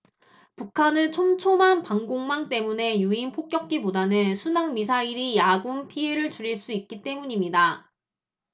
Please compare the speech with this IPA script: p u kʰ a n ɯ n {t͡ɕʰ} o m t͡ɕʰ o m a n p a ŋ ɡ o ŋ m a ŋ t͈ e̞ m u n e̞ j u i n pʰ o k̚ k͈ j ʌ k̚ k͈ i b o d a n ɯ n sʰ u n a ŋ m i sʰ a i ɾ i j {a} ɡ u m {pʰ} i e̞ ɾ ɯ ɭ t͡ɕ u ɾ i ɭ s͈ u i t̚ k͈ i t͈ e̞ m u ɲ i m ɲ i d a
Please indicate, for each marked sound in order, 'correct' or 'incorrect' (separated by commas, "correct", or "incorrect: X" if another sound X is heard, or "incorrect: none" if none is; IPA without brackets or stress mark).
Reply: correct, correct, correct